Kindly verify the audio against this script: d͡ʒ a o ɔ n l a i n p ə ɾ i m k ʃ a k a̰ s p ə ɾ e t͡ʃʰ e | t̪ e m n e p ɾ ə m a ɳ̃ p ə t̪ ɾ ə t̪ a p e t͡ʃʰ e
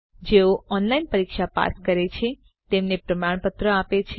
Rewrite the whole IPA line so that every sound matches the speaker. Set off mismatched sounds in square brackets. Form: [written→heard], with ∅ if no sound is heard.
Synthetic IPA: d͡ʒ [a→e] o ɔ n l a i n p ə ɾ i [m→∅] k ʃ a [k→p] a̰ s [p→k] ə ɾ e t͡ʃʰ e | t̪ e m n e p ɾ ə m a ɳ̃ p ə t̪ ɾ ə [t̪→∅] a p e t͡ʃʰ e